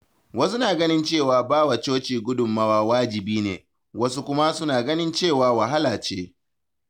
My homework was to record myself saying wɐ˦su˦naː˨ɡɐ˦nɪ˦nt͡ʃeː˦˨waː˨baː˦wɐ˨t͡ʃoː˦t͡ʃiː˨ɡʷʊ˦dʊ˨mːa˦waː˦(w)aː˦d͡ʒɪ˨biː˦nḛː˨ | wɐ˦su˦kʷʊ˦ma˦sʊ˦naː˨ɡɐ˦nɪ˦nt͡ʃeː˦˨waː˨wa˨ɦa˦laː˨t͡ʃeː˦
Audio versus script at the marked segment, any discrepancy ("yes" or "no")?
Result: no